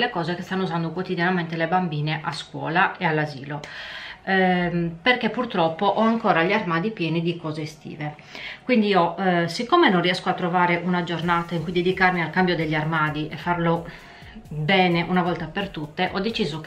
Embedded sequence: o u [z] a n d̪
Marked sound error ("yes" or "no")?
no